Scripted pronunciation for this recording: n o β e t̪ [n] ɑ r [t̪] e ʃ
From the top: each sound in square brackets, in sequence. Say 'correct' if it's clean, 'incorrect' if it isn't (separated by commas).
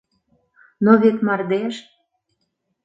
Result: incorrect, incorrect